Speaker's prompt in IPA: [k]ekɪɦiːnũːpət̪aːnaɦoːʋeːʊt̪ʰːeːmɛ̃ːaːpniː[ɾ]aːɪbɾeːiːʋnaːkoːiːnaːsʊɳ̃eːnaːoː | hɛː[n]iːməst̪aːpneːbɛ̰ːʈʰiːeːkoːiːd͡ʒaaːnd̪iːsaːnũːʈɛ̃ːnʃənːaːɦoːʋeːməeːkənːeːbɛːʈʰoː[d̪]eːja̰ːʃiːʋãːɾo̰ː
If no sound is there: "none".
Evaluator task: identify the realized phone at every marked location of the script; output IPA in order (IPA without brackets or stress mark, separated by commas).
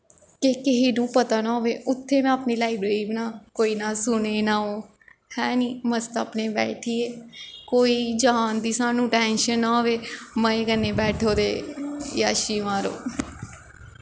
k, l, n, d̪